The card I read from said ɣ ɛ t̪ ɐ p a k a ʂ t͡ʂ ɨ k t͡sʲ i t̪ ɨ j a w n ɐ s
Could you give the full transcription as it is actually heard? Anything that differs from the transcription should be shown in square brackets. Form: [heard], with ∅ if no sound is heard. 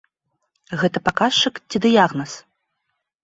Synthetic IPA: ɣ ɛ t̪ ɐ p a k a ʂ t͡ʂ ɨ k t͡sʲ i [d̪] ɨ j a [ɣ] n ɐ s